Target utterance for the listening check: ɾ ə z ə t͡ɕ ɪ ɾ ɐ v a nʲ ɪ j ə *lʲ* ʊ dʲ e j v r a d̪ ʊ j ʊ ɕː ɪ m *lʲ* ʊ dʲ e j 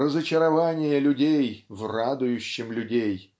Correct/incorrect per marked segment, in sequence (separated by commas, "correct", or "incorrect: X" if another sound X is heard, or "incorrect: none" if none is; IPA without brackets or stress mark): correct, correct